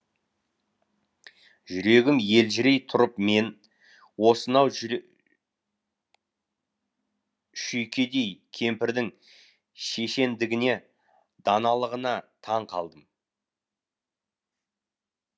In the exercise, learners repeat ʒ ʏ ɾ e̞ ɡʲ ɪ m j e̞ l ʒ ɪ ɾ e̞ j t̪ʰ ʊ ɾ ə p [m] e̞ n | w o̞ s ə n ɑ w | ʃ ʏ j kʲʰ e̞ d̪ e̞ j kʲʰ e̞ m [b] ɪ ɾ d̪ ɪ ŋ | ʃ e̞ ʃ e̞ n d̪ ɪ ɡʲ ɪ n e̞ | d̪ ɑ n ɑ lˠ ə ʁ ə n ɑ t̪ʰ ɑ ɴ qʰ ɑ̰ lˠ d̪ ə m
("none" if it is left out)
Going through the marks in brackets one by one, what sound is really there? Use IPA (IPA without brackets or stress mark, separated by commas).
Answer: m, p